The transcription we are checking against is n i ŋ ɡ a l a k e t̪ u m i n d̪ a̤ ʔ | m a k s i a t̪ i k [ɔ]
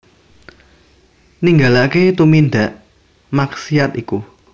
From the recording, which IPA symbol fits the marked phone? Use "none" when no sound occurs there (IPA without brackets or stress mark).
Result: u